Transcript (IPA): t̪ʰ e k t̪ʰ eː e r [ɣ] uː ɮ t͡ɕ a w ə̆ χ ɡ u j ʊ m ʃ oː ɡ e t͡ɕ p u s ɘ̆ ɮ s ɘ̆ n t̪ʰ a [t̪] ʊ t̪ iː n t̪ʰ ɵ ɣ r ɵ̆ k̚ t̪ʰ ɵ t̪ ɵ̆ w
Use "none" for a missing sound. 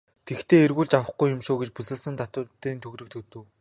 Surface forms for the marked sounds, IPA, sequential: ɣ, t̪

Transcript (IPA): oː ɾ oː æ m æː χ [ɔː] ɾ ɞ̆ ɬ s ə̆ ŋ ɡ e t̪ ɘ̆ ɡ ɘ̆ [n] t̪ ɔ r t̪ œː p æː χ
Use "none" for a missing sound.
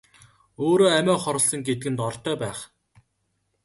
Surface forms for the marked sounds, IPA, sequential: ɔ, n

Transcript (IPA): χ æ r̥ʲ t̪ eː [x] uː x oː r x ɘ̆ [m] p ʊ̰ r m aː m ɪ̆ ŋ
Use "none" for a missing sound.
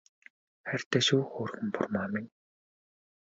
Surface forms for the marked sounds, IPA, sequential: ʃ, m

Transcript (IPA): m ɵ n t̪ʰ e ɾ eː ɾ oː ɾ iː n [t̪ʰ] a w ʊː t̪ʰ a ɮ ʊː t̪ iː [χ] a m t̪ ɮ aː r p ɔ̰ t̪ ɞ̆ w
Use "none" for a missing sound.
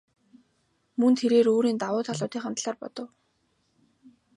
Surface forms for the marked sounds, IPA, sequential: t̪, χ

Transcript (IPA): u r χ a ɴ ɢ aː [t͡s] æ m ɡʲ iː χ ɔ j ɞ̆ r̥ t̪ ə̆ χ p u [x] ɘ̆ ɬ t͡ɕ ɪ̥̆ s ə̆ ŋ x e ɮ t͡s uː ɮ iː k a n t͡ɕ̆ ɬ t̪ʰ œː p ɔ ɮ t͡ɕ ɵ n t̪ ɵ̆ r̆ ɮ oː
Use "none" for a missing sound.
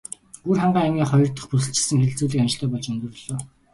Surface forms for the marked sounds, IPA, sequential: none, s

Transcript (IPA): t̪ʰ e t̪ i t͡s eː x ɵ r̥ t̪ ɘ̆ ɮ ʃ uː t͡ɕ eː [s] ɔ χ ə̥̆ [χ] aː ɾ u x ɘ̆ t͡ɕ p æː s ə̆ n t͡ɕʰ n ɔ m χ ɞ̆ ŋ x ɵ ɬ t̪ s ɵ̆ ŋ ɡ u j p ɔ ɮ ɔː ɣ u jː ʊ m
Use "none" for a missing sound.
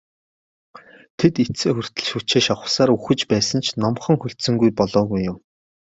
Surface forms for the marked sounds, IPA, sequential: ʃ, s

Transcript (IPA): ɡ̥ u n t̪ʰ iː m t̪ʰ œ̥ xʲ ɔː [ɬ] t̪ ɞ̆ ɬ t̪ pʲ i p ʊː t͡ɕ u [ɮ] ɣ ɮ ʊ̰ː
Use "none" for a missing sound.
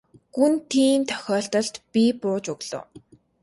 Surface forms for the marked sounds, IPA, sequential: ɬ, none

